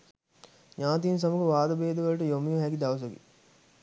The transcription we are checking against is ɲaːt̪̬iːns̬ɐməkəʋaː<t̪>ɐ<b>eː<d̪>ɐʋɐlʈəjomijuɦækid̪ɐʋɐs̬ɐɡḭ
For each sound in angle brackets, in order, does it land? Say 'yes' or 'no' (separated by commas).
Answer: no, yes, yes